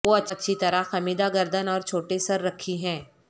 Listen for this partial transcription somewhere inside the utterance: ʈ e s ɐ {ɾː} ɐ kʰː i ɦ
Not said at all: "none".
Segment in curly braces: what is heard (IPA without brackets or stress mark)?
ɾː